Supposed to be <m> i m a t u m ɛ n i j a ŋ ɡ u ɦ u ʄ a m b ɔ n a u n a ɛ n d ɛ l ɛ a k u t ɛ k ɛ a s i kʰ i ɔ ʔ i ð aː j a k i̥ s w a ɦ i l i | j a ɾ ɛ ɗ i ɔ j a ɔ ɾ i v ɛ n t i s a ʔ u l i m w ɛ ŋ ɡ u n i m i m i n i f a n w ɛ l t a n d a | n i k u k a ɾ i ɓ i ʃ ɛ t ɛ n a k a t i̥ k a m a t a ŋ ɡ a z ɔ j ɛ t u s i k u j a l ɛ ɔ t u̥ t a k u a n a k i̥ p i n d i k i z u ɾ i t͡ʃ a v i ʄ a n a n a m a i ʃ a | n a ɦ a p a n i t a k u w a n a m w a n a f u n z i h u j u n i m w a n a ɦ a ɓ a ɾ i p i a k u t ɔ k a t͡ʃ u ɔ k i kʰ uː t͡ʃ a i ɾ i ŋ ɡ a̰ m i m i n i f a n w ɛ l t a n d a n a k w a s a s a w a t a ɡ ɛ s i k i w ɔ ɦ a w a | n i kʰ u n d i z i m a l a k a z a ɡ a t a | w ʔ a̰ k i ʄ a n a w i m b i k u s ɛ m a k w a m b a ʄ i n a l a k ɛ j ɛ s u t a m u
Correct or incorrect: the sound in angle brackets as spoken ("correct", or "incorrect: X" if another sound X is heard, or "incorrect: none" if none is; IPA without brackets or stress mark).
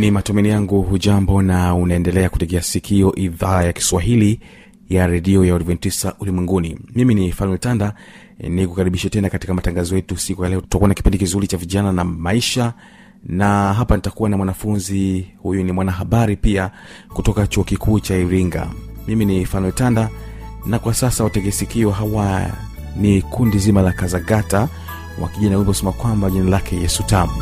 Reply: incorrect: n